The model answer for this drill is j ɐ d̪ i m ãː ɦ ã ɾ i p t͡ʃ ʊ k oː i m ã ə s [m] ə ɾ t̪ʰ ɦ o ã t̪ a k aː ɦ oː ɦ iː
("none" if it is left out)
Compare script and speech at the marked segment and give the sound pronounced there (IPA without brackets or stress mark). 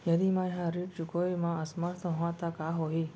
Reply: m